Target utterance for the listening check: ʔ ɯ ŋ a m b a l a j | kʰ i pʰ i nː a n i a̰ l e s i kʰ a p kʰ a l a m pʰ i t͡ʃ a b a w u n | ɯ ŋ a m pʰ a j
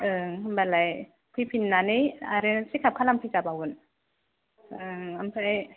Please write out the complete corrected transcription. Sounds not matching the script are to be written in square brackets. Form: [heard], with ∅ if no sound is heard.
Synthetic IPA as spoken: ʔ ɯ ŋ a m b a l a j | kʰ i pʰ i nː a n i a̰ [ɾ] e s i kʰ a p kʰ a l a m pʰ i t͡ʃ a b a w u n | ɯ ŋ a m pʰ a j